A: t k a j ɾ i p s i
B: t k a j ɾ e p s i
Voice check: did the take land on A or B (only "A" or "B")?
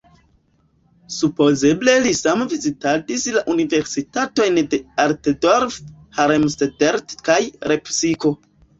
B